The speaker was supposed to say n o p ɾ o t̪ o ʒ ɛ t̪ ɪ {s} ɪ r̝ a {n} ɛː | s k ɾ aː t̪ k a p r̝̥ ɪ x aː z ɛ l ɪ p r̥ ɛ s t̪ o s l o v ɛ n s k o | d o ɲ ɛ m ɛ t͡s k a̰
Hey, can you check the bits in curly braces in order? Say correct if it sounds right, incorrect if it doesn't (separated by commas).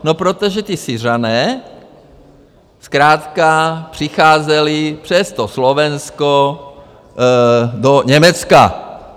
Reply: correct, correct